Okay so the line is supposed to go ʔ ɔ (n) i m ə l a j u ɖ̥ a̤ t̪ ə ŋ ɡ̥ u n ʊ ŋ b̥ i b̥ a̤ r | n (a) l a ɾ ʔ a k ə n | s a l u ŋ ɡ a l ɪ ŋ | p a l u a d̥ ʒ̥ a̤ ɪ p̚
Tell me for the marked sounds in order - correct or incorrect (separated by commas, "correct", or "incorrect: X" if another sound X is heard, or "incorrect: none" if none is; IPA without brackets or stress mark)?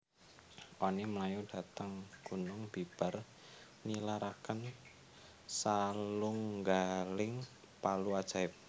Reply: correct, incorrect: i